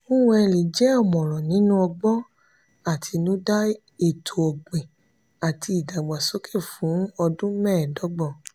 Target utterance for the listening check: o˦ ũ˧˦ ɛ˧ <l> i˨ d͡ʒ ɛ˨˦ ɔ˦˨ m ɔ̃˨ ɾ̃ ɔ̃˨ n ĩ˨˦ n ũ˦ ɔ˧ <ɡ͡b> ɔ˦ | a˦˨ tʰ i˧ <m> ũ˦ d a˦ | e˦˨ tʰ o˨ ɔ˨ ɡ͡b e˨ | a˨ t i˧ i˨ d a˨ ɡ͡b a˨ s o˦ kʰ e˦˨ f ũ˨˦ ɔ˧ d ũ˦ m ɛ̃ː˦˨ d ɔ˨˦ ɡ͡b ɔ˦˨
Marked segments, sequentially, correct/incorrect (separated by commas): correct, correct, incorrect